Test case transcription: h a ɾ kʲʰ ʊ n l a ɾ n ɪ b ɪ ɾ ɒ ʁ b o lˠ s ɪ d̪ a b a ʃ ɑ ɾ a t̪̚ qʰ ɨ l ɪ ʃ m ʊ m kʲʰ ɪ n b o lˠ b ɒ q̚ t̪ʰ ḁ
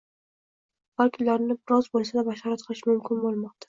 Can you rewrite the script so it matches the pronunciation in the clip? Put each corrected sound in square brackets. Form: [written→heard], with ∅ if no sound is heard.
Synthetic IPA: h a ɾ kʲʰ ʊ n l a ɾ n ɪ b ɪ ɾ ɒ [ʁ→z] b o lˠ s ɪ d̪ a b a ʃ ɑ ɾ a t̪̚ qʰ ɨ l ɪ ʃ m ʊ m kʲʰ ɪ n b o lˠ [b→m] ɒ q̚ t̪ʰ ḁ